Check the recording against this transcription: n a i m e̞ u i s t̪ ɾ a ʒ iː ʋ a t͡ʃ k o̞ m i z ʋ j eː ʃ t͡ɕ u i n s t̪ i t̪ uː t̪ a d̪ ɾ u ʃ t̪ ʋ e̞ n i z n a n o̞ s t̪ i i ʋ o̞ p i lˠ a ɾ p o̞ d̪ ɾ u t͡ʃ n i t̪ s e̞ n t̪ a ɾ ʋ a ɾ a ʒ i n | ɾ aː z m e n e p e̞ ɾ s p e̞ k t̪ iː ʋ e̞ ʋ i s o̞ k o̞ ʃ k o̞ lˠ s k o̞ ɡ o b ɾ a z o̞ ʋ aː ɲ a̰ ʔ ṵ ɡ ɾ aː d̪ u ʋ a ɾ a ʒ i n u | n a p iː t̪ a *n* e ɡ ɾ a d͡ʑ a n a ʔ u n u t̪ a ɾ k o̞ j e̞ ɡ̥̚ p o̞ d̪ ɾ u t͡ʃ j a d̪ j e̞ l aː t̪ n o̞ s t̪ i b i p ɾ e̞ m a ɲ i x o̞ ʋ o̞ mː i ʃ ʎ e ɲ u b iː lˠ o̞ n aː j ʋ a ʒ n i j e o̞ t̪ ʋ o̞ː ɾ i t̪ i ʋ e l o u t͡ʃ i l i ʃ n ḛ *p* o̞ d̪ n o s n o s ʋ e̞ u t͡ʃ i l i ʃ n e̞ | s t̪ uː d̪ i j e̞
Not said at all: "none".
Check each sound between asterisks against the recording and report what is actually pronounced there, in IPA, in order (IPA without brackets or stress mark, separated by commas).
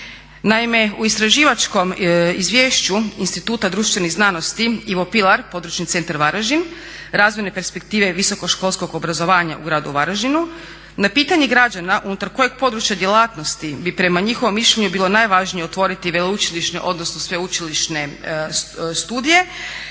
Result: ɲ, ʔ